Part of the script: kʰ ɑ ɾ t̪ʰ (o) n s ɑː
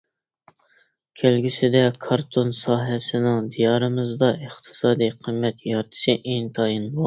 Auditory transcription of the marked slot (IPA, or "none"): o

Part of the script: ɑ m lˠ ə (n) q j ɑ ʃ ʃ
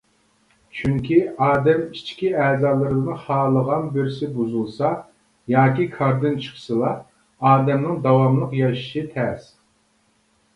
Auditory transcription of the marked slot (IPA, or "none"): none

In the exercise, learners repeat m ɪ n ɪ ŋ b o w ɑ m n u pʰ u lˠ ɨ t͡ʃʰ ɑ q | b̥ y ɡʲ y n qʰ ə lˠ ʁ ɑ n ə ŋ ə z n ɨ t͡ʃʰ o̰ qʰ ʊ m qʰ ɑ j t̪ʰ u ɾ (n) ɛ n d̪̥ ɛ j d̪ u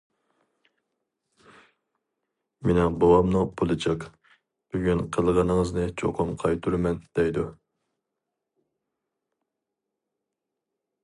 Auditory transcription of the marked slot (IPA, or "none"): m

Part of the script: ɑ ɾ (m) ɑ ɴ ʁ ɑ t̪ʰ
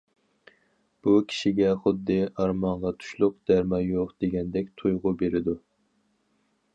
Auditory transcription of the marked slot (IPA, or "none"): m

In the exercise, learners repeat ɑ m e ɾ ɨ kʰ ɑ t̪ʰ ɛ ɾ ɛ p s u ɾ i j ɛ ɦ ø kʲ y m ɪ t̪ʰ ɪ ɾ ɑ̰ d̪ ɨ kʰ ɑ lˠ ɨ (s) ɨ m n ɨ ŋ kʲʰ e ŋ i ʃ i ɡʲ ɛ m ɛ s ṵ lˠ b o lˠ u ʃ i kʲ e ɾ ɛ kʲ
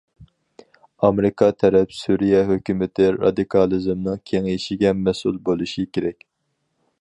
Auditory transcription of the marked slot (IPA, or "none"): z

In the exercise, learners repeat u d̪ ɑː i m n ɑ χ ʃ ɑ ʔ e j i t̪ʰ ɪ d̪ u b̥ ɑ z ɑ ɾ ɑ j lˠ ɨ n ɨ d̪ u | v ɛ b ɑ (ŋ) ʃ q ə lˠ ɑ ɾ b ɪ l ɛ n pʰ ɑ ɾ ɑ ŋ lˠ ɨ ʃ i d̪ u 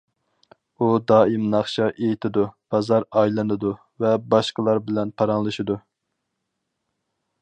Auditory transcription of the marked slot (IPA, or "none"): none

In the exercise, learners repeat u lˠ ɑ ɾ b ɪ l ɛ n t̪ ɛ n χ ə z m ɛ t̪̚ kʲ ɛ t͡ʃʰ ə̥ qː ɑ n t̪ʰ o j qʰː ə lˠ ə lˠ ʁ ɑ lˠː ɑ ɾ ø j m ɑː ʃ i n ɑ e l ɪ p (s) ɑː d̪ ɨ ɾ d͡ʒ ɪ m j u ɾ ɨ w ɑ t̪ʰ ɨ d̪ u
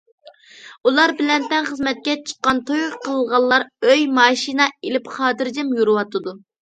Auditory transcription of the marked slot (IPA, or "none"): χ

